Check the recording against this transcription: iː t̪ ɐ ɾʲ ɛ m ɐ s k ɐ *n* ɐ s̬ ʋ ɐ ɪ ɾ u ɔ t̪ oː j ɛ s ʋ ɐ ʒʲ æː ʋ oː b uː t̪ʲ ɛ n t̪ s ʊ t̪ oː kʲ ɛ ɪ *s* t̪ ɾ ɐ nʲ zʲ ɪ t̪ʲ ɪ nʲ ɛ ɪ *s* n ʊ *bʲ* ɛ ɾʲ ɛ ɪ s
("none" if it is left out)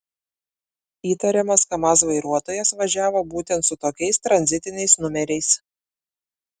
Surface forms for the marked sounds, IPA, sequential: m, s, s, mʲ

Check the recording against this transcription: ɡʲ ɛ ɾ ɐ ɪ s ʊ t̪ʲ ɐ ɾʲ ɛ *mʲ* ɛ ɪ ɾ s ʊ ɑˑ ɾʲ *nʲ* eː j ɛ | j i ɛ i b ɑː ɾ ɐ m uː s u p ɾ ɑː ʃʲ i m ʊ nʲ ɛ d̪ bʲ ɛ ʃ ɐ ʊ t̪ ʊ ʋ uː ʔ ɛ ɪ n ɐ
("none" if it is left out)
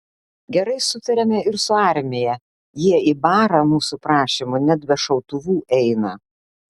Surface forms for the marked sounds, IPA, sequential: mʲ, mʲ

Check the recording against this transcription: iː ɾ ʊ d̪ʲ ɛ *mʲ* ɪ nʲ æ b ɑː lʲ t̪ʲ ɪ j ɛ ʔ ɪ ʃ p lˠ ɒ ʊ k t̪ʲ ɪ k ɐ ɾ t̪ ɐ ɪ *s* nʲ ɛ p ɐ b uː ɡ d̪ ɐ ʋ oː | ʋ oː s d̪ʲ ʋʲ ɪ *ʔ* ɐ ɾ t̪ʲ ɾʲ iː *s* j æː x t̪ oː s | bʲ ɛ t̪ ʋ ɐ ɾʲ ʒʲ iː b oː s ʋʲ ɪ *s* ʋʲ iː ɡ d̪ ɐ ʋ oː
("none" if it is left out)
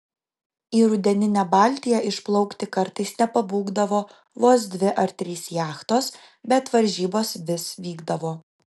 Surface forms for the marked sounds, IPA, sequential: nʲ, s, ʔ, s, s

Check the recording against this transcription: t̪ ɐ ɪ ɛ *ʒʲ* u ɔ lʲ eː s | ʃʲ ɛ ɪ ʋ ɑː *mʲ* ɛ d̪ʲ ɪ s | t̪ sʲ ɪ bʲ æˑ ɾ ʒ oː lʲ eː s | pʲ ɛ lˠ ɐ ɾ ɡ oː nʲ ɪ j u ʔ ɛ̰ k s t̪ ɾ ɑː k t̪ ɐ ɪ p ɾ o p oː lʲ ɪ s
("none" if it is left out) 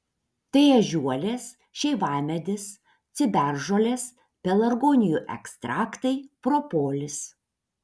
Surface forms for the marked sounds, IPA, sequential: ʒʲ, mʲ

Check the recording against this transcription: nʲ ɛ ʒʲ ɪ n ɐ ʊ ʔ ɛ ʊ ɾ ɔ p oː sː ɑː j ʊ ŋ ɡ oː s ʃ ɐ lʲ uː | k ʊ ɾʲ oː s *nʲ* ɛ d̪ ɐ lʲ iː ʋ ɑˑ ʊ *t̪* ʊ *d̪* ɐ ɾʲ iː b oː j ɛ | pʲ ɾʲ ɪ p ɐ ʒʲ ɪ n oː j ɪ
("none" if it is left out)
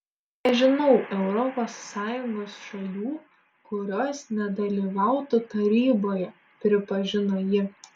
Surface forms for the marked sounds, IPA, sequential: nʲ, t̪, t̪

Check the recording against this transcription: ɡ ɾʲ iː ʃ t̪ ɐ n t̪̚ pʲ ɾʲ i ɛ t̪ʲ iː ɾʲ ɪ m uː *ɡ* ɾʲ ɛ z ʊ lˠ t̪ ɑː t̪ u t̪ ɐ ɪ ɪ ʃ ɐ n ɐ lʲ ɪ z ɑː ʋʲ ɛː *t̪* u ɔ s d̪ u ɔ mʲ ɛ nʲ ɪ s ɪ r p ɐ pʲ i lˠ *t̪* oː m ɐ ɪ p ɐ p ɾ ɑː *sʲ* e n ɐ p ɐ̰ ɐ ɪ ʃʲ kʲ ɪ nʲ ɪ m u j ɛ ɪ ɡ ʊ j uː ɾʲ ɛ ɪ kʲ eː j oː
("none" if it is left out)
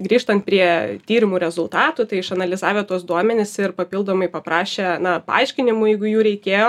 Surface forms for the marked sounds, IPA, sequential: none, t̪, d̪, ʃʲ

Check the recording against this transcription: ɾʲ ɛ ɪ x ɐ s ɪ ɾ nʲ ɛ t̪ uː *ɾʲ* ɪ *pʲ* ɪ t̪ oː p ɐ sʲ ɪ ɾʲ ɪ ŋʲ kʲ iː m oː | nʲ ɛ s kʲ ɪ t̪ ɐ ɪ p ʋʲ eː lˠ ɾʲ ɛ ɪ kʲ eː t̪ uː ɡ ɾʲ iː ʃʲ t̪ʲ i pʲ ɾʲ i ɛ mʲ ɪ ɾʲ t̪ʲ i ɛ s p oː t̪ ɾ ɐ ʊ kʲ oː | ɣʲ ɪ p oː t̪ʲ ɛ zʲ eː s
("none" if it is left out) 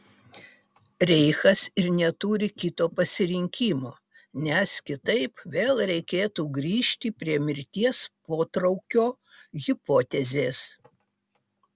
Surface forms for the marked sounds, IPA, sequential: ɾʲ, kʲ

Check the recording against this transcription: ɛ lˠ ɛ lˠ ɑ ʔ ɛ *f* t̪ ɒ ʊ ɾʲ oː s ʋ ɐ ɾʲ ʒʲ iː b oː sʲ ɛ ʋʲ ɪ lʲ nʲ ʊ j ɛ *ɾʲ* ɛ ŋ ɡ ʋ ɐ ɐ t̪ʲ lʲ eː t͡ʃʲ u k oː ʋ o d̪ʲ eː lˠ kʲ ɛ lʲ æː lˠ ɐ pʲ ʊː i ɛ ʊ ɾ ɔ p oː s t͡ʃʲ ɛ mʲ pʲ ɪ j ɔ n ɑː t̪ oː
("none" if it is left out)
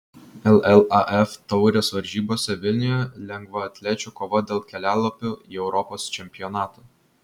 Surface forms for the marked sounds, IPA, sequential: f, lʲ

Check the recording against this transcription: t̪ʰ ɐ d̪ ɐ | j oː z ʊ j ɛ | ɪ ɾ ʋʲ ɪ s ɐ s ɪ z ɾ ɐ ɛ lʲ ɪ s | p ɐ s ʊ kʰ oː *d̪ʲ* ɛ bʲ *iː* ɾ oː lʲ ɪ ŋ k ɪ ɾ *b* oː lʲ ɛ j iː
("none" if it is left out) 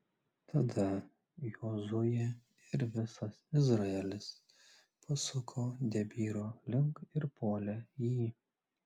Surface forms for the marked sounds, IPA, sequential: d̪ʲ, iː, p

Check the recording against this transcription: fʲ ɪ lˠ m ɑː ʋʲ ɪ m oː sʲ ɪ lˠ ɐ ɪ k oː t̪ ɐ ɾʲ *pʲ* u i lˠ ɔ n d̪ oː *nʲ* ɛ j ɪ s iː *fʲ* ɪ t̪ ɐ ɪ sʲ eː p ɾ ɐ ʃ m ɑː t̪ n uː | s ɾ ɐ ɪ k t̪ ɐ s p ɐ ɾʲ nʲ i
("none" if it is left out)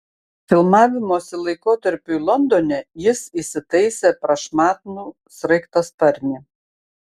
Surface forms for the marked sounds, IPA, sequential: pʲ, nʲ, sʲ

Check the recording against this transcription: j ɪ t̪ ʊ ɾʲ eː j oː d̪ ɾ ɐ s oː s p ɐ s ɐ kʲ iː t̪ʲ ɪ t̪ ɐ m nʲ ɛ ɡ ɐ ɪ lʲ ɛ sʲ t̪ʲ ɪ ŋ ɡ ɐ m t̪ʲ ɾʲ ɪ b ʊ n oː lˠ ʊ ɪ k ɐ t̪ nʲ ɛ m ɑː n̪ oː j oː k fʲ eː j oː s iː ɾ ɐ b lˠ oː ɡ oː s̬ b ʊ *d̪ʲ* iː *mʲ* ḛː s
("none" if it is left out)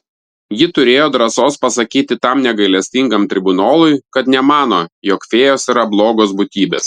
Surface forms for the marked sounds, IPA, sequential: t̪ʲ, bʲ

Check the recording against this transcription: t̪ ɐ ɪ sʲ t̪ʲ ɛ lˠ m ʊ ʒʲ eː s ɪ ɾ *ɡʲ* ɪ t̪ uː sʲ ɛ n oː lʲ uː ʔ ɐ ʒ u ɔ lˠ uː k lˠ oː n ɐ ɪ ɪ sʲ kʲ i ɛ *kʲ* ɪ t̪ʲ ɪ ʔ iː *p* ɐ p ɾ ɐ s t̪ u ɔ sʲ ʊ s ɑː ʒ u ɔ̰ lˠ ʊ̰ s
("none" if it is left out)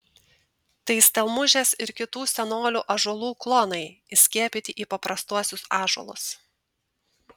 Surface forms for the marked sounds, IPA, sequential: kʲ, pʲ, p

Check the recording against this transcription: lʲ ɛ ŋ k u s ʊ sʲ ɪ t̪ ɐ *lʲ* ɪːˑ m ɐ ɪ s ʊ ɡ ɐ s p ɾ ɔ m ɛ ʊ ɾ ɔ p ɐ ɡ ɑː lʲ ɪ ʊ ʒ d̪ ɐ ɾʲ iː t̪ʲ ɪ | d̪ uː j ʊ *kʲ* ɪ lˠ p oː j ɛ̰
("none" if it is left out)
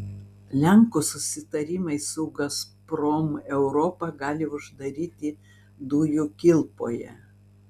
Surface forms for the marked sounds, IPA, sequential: ɾʲ, kʲ

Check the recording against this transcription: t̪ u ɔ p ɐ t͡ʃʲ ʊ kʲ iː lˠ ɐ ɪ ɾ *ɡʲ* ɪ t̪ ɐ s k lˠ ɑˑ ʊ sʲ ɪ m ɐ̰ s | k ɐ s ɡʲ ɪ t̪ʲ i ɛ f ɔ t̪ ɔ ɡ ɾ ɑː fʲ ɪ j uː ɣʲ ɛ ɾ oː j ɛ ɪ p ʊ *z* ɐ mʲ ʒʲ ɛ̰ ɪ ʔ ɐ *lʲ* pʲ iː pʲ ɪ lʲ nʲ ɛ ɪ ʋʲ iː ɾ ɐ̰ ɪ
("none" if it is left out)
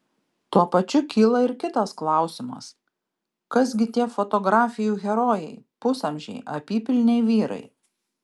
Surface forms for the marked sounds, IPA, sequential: kʲ, s, none

